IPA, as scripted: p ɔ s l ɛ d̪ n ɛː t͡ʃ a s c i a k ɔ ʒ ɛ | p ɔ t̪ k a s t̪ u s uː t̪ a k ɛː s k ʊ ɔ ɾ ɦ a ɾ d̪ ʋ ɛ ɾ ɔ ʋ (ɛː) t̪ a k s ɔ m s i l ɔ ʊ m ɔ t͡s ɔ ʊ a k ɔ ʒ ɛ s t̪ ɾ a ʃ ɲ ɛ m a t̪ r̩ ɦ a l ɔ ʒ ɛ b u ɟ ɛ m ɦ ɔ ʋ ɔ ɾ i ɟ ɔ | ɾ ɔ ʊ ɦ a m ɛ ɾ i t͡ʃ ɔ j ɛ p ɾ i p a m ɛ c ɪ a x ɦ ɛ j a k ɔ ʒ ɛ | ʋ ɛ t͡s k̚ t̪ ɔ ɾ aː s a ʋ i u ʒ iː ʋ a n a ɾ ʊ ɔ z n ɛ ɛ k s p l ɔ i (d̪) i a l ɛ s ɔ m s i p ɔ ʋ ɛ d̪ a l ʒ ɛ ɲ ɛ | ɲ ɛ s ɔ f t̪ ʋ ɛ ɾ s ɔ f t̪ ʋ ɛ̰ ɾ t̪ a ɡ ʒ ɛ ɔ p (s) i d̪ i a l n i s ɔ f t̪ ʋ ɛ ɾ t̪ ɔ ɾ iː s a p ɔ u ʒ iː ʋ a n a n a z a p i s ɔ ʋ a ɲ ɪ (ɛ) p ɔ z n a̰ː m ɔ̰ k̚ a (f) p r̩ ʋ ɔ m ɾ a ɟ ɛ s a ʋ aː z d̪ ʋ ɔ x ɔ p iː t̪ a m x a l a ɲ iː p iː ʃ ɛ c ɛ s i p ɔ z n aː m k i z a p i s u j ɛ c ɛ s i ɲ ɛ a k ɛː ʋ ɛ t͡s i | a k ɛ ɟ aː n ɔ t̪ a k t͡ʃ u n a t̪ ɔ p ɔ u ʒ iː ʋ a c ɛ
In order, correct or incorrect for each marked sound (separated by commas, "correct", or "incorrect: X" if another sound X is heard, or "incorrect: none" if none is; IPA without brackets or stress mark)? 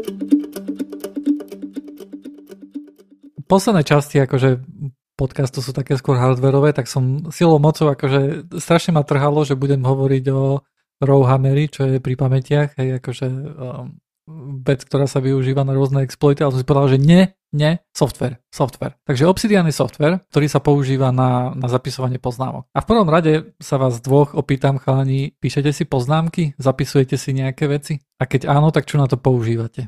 correct, incorrect: t̪, correct, correct, correct